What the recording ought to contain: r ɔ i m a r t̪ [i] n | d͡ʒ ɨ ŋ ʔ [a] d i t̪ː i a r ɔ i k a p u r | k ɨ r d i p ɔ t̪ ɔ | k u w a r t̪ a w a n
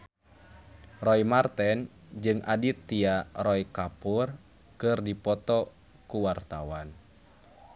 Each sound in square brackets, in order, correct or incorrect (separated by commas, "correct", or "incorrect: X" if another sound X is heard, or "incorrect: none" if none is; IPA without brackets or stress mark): incorrect: ɛ, correct